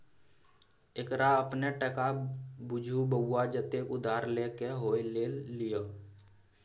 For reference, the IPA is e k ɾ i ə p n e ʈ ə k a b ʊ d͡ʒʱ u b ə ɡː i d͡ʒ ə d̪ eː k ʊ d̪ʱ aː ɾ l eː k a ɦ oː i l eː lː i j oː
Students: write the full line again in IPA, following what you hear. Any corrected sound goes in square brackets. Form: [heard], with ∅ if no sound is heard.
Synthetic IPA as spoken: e k ɾ [a] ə p n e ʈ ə k a b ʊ d͡ʒʱ u b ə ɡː [a] d͡ʒ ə [t̪] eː k ʊ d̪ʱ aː ɾ l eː k [e] ɦ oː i l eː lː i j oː